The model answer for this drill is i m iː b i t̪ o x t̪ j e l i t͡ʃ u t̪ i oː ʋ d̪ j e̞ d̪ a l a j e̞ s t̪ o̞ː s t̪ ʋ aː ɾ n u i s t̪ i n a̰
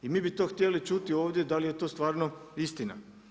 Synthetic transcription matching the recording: i m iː b i t̪ o x t̪ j e l i t͡ʃ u t̪ i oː ʋ d̪ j e̞ d̪ a l i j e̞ t̪ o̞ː s t̪ ʋ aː ɾ n o i s t̪ i n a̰